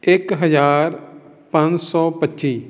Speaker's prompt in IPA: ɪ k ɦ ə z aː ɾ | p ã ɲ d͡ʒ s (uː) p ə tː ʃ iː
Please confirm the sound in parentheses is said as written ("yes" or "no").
no